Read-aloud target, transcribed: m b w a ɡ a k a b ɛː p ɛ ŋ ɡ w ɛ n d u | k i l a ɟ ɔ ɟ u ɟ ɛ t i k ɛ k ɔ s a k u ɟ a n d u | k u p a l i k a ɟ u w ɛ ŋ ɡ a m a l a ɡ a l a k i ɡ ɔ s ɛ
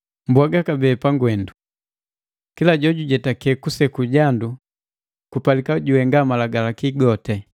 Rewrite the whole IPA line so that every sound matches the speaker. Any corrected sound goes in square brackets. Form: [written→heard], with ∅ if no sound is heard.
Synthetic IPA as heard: m b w a ɡ a k a b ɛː p [ɛ→a] ŋ ɡ w ɛ n d u | k i l a ɟ ɔ ɟ u ɟ ɛ t [i→a] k ɛ k [ɔ→u] s [a→ɛ] k u ɟ a n d u | k u p a l i k a ɟ u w ɛ ŋ ɡ a m a l a ɡ a l a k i ɡ ɔ [s→t] ɛ

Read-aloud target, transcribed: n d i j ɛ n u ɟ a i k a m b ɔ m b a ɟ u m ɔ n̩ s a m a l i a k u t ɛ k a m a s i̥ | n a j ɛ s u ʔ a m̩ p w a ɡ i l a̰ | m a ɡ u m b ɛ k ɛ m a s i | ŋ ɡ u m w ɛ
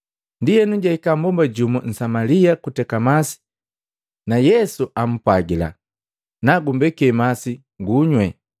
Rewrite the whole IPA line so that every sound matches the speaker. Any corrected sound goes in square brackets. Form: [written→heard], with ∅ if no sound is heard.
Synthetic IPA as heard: n d i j ɛ n u ɟ a i k a m b ɔ m b a ɟ u m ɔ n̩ s a m a l i a k u t ɛ k a m a s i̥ | n a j ɛ s u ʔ a m̩ p w a ɡ i l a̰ | [m→n] a ɡ u m b ɛ k ɛ m a s i | ŋ ɡ u [m→ɲ] w ɛ

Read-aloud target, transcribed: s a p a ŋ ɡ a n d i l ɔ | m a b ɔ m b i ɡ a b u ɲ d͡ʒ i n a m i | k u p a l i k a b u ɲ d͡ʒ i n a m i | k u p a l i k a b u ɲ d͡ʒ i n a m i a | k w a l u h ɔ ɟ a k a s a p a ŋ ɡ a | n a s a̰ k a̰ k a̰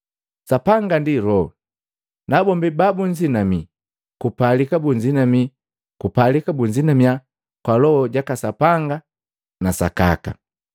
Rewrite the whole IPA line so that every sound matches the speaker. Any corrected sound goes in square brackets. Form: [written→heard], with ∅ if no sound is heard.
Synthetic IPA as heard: s a p a ŋ ɡ a n d i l ɔ | [m→n] a b ɔ m b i [ɡ→b] a b u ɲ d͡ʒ i n a m i | k u p a l i k a b u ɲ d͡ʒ i n a m i | k u p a l i k a b u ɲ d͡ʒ i n a m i a | k w a l [u→ɔ] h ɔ ɟ a k a s a p a ŋ ɡ a | n a s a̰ k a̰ k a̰

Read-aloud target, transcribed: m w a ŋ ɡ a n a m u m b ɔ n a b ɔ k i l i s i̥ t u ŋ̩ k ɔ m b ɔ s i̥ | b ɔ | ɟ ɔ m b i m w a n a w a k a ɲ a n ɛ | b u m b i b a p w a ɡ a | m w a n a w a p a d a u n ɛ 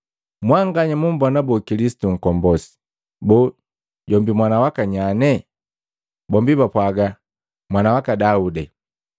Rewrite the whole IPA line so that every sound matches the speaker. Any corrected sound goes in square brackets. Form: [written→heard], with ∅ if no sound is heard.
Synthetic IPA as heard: m w a ŋ ɡ a [n→ɲ] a m u m b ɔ n a b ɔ k i l i s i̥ t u ŋ̩ k ɔ m b ɔ s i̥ | b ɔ | ɟ ɔ m b i m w a n a w a k a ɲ a n ɛ | b [u→ɔ] m b i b a p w a ɡ a | m w a n a w a [p→k] a d a u [n→d] ɛ

